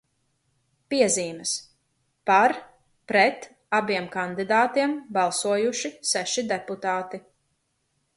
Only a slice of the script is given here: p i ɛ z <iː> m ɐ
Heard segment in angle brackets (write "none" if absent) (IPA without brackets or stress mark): iː